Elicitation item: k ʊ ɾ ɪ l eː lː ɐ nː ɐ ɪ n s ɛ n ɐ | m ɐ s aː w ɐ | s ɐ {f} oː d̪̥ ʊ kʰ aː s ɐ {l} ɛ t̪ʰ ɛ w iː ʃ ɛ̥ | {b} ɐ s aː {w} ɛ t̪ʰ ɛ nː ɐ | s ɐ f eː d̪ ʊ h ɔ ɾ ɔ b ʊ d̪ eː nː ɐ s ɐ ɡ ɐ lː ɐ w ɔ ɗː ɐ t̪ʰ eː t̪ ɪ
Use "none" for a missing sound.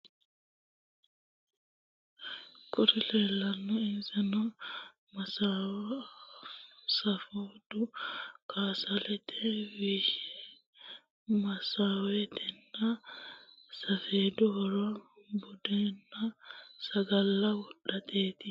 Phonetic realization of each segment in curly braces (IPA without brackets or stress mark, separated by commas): f, l, m, w